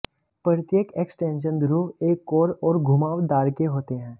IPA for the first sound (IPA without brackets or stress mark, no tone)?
p